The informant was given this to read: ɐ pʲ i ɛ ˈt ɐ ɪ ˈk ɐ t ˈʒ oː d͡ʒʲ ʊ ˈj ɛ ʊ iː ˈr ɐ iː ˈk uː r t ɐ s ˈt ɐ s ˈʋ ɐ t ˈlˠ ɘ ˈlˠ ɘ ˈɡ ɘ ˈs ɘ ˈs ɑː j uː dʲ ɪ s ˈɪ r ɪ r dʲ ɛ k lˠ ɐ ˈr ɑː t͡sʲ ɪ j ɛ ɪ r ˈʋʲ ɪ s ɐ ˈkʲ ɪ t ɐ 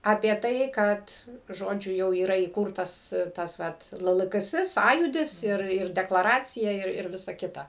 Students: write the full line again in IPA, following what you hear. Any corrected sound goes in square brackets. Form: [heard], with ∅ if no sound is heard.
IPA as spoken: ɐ pʲ i ɛ ˈt ɐ ɪ ˈk ɐ t ˈʒ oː d͡ʒʲ ʊ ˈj ɛ ʊ iː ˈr ɐ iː ˈk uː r t ɐ s ˈt ɐ s ˈʋ ɐ t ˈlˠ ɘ ˈlˠ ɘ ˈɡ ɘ ˈs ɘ ˈs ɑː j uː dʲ ɪ s ˈɪ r ɪ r dʲ ɛ k lˠ ɐ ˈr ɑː t͡sʲ ɪ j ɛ ɪ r ˈʋʲ ɪ s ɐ ˈkʲ ɪ t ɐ